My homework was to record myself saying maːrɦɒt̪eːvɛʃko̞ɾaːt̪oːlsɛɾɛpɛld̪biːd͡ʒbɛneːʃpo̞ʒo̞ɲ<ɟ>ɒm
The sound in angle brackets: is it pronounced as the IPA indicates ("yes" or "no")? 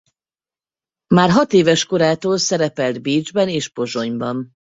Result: no